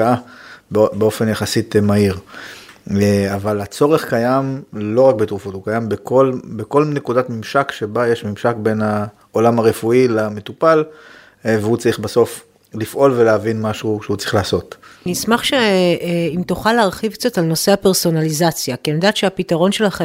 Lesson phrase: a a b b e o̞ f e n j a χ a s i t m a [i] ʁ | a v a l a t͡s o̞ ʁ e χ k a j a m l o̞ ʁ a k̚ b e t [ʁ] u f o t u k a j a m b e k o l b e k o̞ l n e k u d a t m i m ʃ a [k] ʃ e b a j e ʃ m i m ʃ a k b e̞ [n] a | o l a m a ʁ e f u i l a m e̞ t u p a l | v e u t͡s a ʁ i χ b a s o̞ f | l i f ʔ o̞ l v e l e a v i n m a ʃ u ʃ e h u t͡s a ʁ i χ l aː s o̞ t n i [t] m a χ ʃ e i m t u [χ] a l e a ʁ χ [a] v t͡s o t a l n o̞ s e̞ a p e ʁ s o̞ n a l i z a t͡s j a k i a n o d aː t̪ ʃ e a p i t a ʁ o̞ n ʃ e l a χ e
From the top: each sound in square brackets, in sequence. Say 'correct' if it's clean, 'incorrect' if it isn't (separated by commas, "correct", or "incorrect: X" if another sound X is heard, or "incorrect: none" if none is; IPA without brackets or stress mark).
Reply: correct, correct, correct, correct, incorrect: s, correct, incorrect: i